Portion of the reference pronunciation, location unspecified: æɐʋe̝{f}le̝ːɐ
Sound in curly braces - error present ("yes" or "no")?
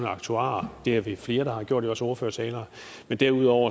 no